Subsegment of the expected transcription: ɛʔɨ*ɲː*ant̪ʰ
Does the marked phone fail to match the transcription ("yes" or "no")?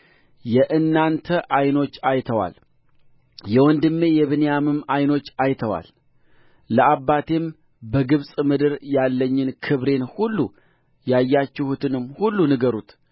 yes